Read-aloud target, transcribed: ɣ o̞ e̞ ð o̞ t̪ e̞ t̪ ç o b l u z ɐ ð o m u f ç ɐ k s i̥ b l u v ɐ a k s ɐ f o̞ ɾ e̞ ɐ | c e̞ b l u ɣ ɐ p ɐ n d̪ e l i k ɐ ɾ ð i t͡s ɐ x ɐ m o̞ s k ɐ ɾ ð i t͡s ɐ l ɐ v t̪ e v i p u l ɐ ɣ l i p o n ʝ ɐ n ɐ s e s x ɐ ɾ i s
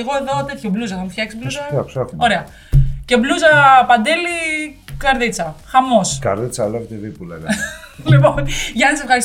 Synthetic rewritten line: ɣ o̞ e̞ ð o̞ t̪ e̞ t̪ ç o b l u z ɐ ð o m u f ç ɐ k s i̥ b l u z ɐ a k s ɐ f o̞ ɾ e̞ ɐ | c e̞ b l u z ɐ p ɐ n d̪ e l i k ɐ ɾ ð i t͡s ɐ x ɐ m o̞ s k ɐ ɾ ð i t͡s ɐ l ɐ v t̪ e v i p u l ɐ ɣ l i p o n ʝ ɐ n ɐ s e f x ɐ ɾ i s